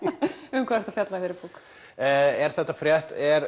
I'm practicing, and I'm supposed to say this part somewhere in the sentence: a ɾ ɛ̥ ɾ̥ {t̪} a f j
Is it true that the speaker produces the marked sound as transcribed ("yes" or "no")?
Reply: yes